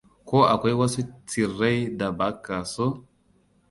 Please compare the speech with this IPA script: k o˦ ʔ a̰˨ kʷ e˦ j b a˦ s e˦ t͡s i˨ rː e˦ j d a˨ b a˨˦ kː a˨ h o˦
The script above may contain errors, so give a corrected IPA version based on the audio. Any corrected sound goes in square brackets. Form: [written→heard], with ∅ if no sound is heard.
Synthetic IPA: k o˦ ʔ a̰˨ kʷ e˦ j [b→w] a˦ s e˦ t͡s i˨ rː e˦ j d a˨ b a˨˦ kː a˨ [h→s] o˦